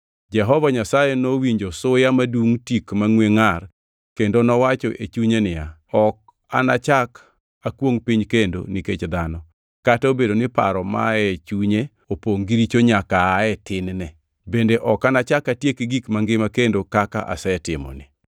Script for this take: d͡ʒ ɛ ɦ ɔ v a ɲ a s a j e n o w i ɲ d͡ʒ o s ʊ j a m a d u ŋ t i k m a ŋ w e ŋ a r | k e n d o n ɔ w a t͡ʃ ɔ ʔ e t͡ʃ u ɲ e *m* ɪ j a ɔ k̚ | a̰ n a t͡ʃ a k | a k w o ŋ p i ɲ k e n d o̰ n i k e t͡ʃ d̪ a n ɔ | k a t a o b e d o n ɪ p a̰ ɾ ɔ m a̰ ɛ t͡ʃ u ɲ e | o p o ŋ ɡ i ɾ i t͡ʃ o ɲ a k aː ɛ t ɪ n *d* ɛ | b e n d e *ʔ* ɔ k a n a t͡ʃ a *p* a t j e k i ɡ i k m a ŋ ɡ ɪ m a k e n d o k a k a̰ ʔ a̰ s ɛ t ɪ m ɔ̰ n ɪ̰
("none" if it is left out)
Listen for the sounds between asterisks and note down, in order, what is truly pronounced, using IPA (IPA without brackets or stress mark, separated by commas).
n, n, ʔ, k